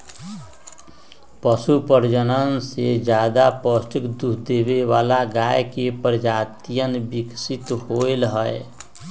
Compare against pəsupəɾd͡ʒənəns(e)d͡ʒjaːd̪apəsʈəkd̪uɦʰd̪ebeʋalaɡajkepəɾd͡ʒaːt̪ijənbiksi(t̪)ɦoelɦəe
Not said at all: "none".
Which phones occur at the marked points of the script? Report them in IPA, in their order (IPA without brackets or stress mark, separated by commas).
e, t̪